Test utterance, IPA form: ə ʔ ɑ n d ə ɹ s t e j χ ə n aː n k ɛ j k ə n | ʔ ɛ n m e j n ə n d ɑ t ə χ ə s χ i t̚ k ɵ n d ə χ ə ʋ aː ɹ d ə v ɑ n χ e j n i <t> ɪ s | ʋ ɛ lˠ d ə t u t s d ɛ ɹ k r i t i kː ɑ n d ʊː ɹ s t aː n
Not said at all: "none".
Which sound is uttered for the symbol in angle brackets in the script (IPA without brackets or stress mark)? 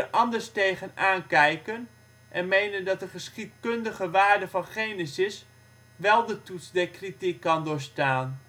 s